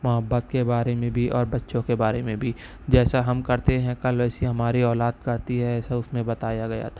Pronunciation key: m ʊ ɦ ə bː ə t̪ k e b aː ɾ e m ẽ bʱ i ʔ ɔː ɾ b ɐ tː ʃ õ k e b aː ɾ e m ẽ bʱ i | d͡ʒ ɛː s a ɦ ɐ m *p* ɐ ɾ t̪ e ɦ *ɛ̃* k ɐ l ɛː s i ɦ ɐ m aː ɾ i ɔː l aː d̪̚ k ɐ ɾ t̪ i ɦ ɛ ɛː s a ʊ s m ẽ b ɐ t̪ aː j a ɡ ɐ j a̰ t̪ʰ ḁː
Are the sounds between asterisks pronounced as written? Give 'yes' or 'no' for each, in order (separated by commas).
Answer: no, yes